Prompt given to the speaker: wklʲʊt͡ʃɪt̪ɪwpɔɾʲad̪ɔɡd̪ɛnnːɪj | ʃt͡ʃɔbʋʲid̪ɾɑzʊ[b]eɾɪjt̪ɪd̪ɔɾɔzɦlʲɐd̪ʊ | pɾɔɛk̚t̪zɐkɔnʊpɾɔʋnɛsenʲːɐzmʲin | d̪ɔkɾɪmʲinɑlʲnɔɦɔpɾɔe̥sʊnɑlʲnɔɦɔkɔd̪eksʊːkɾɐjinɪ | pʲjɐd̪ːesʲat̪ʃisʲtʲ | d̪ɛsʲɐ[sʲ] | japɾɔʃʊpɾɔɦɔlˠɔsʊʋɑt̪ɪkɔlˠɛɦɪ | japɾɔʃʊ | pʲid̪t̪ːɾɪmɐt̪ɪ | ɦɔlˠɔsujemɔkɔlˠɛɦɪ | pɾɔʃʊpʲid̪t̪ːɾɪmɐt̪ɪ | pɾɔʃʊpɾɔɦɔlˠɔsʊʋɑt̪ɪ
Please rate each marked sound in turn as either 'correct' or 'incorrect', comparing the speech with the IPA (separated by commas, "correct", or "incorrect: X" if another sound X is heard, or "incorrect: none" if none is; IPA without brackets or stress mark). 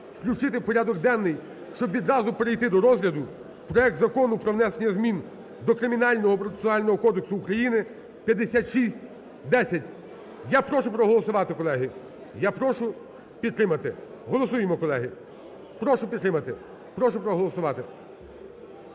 incorrect: p, incorrect: tʲ